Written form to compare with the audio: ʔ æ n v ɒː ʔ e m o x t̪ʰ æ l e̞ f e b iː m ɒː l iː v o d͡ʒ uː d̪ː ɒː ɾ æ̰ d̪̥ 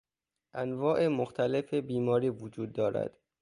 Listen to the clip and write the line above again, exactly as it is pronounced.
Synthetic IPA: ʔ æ n v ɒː ʔ e m o x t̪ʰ æ l e̞ f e b iː m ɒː ɾ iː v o d͡ʒ uː d̪ː ɒː ɾ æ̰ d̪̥